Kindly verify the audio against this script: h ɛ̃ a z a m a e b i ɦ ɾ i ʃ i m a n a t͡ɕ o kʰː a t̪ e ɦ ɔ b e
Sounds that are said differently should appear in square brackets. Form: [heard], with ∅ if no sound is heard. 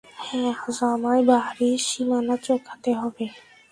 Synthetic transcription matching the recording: h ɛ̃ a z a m a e b [a] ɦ ɾ i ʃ i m a n a t͡ɕ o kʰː a t̪ e ɦ ɔ b e